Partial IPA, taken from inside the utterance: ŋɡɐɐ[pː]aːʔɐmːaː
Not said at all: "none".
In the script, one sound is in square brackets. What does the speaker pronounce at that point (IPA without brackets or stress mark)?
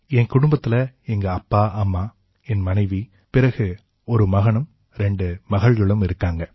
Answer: pː